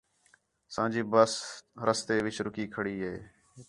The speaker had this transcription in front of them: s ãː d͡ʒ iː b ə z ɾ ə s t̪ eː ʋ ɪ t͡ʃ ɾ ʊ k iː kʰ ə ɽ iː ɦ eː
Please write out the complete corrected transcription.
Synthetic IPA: s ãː d͡ʒ iː b ə s ɾ ə s t̪ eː ʋ ɪ t͡ʃ ɾ ʊ k iː kʰ ə ɽ iː ɦ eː